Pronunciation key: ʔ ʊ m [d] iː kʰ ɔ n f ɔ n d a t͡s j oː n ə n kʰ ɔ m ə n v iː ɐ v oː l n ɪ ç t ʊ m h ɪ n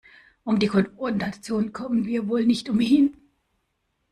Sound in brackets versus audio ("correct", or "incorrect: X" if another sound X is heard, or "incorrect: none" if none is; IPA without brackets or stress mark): correct